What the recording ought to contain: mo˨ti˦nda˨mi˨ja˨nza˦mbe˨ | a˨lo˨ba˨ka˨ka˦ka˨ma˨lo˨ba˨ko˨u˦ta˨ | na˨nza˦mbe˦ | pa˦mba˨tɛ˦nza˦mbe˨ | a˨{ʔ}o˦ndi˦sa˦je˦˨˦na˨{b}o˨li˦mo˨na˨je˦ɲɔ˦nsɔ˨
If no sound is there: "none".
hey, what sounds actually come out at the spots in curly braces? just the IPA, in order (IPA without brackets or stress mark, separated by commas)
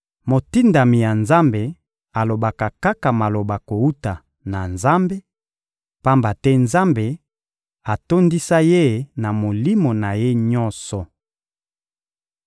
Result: t, m